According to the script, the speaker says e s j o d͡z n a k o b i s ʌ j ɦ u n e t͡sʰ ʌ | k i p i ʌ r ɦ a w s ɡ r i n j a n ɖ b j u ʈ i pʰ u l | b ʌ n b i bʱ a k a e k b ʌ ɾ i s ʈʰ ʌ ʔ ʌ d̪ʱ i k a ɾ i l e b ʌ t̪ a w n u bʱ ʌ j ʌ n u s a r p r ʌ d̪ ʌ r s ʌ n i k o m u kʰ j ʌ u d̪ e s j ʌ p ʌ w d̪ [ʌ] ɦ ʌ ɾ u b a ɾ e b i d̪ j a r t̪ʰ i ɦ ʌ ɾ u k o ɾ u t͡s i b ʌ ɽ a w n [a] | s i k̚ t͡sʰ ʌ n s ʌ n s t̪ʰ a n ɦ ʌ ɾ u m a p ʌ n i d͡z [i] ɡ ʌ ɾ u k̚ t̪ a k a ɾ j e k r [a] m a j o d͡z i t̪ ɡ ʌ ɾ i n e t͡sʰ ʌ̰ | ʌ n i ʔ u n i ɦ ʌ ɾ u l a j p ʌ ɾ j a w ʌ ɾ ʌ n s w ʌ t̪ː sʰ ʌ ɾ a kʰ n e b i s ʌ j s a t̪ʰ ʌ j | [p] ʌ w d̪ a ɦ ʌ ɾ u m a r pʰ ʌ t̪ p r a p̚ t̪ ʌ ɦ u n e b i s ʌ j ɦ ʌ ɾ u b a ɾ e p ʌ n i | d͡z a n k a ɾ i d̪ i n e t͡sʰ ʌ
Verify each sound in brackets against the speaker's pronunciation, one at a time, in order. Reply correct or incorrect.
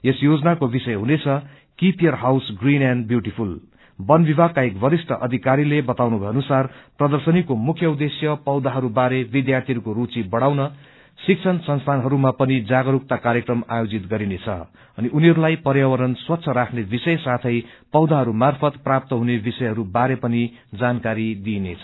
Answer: incorrect, incorrect, incorrect, incorrect, correct

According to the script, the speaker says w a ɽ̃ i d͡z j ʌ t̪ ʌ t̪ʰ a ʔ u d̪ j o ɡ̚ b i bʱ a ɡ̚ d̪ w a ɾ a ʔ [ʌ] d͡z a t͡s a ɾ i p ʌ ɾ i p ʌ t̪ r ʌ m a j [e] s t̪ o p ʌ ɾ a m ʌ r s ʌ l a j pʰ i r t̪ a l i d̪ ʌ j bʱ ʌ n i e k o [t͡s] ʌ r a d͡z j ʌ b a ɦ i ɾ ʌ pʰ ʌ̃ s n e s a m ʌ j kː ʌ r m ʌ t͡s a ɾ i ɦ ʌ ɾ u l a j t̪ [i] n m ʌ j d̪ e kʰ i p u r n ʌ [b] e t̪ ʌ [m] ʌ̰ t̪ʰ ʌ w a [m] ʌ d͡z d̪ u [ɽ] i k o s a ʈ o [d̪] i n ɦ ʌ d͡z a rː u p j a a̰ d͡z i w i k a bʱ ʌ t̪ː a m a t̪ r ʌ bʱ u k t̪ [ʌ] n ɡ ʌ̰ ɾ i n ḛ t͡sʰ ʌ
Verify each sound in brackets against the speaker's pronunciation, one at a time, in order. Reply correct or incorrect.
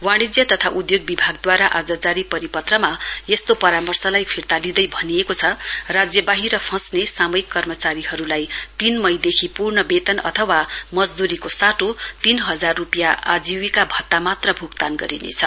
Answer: incorrect, correct, incorrect, correct, correct, incorrect, correct, incorrect, incorrect, incorrect

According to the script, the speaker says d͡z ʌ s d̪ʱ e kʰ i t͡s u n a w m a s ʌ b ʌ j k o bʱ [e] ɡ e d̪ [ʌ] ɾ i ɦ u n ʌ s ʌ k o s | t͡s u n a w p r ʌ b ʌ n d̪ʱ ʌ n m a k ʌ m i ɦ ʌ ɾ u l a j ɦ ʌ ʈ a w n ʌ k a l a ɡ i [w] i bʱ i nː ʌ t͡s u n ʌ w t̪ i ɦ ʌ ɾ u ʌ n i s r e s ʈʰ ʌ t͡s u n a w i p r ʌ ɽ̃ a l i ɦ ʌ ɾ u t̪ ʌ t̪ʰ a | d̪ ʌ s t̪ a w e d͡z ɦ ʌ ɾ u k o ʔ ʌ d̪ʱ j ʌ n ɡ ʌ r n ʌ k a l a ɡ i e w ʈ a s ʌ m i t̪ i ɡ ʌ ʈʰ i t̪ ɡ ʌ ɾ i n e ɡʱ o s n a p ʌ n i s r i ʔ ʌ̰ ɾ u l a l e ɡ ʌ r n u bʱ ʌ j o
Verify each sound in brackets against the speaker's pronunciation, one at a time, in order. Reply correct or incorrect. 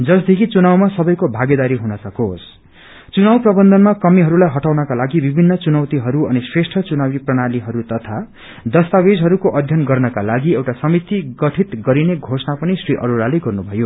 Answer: incorrect, incorrect, incorrect

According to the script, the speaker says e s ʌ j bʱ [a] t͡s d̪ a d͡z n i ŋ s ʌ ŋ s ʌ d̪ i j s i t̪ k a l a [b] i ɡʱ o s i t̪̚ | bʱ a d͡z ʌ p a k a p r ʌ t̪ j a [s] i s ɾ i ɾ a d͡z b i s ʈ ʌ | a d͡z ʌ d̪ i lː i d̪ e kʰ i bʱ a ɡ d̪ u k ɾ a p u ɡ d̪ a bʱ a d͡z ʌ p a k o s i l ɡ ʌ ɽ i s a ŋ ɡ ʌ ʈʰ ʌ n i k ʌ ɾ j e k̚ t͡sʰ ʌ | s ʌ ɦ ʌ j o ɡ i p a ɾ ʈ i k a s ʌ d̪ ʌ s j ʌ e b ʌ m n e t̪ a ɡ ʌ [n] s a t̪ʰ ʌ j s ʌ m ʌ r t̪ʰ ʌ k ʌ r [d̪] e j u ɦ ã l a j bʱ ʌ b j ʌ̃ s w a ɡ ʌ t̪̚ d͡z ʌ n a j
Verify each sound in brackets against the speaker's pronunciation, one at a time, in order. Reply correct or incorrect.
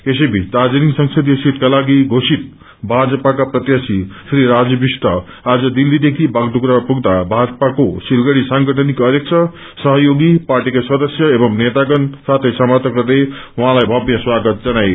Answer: incorrect, incorrect, correct, correct, correct

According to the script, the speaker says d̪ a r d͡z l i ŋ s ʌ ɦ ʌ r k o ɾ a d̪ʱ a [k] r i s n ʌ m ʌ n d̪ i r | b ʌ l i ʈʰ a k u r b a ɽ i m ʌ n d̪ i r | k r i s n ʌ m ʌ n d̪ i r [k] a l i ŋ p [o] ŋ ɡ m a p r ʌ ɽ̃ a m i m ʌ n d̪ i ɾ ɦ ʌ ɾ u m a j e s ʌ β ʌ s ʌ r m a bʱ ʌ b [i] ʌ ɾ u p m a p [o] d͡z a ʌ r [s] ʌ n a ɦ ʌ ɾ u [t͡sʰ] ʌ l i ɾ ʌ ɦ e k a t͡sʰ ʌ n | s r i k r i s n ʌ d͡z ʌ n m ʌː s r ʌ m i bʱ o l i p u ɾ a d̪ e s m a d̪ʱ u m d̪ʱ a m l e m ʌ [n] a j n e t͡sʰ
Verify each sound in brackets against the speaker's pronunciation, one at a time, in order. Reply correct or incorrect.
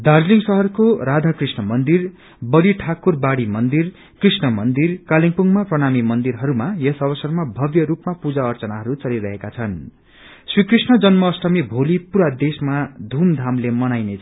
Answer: correct, correct, incorrect, incorrect, incorrect, incorrect, incorrect, correct

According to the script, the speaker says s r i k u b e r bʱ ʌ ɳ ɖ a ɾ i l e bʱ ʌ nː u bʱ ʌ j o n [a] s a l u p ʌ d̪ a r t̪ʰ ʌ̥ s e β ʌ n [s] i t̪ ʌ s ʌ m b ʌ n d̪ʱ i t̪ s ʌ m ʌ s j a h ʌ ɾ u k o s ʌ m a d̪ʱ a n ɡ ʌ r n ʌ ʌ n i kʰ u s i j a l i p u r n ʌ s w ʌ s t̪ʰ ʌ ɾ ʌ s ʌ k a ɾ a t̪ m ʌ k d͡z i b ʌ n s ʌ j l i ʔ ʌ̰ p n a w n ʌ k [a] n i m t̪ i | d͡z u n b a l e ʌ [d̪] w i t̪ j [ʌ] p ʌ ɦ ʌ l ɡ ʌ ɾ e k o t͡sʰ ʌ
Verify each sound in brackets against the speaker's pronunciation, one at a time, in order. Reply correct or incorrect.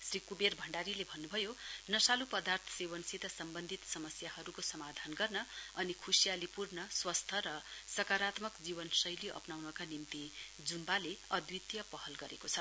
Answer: incorrect, correct, correct, correct, correct

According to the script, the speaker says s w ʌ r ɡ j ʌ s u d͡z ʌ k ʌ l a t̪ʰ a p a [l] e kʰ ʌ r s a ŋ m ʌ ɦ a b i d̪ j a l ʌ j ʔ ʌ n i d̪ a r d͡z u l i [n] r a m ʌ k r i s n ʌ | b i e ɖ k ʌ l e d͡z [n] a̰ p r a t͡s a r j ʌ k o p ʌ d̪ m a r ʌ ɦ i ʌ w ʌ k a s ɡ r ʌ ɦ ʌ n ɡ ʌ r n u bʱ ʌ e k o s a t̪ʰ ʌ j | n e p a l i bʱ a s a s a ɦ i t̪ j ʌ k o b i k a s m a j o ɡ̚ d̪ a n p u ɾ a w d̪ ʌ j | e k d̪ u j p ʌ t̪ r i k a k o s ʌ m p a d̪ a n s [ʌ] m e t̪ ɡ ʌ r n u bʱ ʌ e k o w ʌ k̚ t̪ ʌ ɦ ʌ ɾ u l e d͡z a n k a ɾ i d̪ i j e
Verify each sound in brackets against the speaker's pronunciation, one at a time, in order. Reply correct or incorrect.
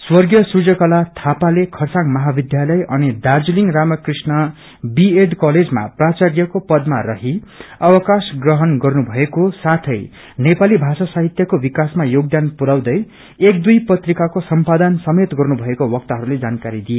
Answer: correct, incorrect, incorrect, correct

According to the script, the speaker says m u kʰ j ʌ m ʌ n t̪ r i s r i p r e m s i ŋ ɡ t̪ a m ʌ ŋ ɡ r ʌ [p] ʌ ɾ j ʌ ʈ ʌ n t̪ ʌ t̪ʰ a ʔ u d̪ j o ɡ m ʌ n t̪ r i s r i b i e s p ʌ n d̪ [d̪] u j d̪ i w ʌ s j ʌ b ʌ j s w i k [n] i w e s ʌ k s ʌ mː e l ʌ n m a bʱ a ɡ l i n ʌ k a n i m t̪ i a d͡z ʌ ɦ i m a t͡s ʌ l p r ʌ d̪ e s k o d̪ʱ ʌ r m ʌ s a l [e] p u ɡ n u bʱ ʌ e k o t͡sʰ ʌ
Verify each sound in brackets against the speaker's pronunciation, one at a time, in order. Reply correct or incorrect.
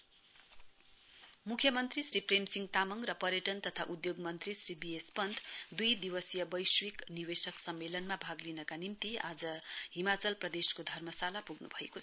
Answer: correct, correct, correct, incorrect

